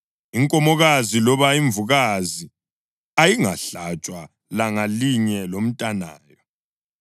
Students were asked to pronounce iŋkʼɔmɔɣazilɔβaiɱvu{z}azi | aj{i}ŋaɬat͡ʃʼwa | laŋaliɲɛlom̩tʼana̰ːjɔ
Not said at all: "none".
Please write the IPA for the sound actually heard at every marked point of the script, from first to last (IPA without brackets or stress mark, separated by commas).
ɣ, i